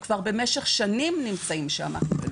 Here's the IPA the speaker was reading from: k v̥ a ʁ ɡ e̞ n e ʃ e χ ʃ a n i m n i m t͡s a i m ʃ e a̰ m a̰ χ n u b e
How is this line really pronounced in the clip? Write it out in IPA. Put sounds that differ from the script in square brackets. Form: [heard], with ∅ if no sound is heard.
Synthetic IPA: k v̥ a ʁ [b] e̞ [m] e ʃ e χ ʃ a n i m n i m t͡s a i m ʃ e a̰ m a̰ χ n u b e